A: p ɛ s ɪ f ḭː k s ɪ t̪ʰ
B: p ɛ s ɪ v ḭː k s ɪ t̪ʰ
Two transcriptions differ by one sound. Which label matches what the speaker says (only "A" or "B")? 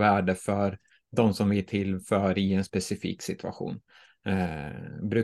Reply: A